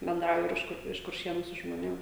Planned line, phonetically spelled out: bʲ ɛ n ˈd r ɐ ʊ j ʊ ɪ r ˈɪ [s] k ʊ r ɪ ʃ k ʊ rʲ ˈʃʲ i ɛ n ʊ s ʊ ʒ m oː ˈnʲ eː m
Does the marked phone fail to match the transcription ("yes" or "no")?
yes